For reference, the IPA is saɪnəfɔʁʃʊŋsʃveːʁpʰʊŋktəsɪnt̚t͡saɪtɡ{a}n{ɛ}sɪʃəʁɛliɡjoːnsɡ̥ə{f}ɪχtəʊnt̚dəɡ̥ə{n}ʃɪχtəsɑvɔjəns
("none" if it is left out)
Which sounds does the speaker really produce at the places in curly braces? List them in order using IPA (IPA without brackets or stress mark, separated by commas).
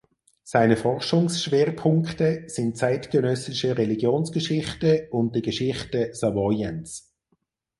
ə, œ, ʃ, none